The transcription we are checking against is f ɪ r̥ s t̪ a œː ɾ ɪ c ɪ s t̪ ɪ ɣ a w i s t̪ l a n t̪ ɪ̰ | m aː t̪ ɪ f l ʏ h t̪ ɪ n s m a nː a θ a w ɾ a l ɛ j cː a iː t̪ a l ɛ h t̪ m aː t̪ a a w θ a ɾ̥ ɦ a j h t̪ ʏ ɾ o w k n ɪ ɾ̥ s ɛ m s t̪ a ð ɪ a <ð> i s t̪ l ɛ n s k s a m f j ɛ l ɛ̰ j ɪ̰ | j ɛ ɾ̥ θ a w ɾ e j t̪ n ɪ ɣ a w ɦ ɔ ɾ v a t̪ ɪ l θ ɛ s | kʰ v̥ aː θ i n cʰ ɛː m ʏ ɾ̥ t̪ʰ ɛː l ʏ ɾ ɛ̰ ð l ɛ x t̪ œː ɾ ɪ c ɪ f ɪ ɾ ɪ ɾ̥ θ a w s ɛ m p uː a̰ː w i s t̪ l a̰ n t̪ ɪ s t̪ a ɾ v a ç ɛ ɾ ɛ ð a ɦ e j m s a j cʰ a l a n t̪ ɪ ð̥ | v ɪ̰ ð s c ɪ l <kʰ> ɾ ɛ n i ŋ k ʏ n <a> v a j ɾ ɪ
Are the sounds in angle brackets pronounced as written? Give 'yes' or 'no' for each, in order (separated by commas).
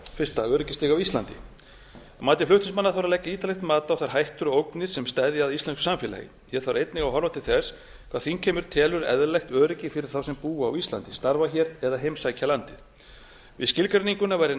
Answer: yes, no, yes